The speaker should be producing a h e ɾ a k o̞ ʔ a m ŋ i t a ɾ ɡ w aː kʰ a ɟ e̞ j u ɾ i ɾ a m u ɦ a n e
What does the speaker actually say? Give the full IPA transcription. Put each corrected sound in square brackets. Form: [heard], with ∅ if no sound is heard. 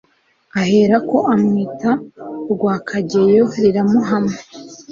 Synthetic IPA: a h e ɾ a k o̞ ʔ a m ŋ i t a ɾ ɡ w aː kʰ a ɟ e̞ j [o] ɾ i ɾ a m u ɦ a [m] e